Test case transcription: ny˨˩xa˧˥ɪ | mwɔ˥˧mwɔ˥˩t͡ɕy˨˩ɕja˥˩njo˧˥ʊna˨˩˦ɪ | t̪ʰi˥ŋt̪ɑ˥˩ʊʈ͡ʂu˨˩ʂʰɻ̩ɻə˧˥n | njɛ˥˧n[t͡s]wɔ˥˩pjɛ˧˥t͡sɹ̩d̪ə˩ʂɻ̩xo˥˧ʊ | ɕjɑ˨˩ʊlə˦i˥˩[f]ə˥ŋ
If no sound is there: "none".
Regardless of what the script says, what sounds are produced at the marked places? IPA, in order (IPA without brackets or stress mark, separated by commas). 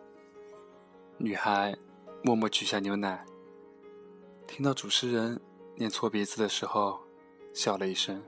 t͡sʰ, ʂ